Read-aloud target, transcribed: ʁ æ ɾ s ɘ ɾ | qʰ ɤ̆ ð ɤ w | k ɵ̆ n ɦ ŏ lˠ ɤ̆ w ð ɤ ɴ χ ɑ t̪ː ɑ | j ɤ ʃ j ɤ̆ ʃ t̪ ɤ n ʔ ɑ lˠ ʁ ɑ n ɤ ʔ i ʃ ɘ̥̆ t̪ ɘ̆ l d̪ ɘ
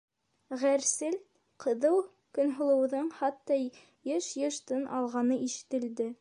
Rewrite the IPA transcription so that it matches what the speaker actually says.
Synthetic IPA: ʁ æ ɾ s ɘ l | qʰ ɤ̆ ð ɤ w | k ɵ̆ n ɦ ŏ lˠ ɤ̆ w ð ɤ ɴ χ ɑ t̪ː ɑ | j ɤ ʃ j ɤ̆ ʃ t̪ ɤ n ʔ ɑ lˠ ʁ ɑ n ɤ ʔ i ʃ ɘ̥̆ t̪ ɘ̆ l d̪ ɘ

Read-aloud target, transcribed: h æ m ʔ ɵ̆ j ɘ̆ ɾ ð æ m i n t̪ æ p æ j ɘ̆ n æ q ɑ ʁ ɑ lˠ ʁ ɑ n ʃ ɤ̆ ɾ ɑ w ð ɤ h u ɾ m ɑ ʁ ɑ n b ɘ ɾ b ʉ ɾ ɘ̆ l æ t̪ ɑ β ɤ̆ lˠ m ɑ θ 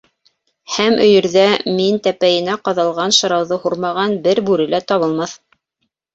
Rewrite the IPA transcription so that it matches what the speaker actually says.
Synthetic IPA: h æ m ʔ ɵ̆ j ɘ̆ ɾ ð æ m i n t̪ æ p æ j ɘ̆ n æ q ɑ ð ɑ lˠ ʁ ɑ n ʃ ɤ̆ ɾ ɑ w ð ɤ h u ɾ m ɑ ʁ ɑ n b ɘ ɾ b ʉ ɾ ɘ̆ l æ t̪ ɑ β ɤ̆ lˠ m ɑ θ

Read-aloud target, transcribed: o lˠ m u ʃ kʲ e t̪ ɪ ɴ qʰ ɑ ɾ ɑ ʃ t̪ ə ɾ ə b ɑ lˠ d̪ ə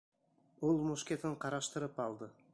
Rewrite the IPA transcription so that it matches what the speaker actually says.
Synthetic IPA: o lˠ m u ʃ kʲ e t̪ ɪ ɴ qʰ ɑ ɾ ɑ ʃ t̪ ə ɾ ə p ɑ lˠ d̪ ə

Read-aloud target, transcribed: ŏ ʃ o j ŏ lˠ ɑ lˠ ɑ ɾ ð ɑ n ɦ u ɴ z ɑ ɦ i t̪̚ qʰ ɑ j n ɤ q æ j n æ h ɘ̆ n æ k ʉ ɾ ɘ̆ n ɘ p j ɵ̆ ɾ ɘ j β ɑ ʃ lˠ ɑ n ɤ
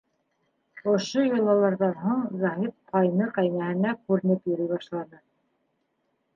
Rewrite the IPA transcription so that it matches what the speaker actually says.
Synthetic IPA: ŏ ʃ o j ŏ lˠ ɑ lˠ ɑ ɾ ð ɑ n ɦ u ɴ z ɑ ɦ i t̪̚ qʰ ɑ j n ɤ q æ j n æ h ɘ̆ n æ k ʉ ɾ ɘ̆ n ɘ p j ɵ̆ ɾ ɘ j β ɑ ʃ lˠ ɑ n ɤ

